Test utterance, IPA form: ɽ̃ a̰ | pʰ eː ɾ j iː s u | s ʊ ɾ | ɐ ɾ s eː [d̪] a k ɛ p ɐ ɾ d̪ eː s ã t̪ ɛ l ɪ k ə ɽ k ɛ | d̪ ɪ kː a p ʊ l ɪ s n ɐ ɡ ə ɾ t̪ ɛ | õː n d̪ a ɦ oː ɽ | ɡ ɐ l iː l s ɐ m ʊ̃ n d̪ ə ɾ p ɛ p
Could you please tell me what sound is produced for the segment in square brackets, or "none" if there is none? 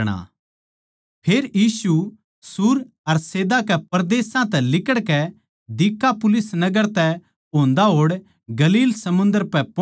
d̪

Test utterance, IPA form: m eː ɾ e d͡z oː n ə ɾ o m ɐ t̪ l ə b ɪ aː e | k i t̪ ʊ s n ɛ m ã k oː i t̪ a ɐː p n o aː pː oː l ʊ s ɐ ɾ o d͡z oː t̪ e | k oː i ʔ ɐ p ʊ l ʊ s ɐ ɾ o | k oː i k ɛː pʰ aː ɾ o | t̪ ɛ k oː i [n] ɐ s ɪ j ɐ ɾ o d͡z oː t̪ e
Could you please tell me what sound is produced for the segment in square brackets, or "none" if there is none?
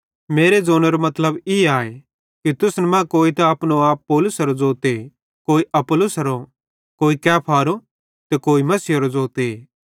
m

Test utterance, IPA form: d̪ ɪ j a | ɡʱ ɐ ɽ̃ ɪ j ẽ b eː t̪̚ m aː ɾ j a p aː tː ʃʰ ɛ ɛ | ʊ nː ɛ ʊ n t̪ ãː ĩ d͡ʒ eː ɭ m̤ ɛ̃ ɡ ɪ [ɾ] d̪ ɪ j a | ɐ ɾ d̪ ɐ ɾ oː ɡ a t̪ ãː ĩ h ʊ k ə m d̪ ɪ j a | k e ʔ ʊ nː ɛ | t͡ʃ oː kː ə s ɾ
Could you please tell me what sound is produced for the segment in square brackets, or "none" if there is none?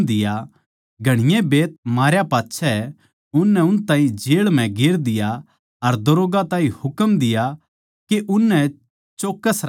ɾ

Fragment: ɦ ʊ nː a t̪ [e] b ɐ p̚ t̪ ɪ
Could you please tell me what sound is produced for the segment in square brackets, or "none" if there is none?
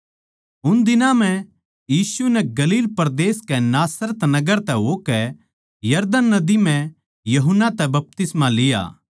ɛ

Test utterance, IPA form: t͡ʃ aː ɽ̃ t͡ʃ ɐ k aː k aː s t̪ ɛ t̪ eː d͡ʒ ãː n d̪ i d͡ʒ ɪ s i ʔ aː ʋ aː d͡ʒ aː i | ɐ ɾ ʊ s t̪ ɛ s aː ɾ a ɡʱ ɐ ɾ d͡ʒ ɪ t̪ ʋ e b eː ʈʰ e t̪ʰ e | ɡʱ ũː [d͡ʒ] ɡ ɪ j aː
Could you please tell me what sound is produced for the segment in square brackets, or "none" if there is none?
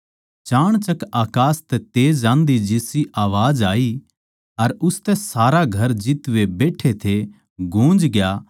d͡ʒ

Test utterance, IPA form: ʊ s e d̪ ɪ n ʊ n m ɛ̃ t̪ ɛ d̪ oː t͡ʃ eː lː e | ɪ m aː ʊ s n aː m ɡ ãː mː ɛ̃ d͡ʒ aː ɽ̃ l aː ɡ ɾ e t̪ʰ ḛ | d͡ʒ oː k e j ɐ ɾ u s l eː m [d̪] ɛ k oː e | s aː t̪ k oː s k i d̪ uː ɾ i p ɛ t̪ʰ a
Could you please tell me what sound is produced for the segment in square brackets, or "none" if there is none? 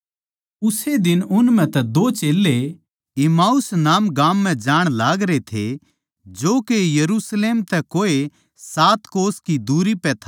t̪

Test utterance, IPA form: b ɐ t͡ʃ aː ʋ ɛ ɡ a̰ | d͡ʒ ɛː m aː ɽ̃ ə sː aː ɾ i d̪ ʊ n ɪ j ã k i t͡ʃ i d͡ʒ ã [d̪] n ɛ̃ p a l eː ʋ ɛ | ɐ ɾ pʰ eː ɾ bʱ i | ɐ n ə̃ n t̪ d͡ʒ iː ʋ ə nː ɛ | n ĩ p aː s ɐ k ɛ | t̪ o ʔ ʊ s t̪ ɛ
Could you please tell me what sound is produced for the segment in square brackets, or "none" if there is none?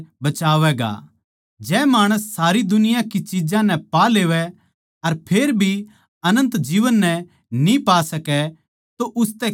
none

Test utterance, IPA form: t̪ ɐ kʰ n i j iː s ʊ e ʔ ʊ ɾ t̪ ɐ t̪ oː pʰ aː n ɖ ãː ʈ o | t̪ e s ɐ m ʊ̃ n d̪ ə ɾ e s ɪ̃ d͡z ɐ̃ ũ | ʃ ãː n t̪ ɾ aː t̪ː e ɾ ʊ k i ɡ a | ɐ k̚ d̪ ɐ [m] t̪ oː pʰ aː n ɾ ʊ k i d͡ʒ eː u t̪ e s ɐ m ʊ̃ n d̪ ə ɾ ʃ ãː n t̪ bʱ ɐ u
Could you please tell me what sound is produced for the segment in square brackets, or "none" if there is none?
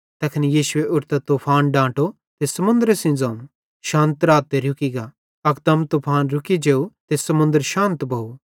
m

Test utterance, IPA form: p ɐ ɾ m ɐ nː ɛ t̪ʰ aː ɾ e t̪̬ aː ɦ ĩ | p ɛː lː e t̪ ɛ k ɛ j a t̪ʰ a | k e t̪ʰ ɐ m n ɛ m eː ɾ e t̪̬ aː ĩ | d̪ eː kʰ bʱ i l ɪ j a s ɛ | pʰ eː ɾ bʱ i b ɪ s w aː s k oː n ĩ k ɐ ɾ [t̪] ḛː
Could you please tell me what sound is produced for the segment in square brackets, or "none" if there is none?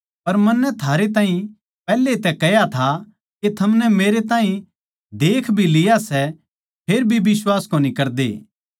d̪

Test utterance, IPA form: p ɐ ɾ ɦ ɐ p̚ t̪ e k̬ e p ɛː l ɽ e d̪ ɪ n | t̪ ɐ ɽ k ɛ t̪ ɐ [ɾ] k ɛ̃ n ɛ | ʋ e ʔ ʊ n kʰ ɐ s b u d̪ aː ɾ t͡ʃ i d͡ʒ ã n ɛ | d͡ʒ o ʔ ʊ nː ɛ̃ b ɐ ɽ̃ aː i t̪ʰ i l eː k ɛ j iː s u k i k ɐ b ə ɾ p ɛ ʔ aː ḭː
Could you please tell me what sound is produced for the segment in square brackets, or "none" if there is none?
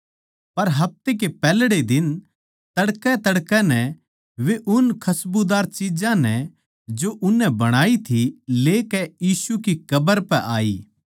ɽ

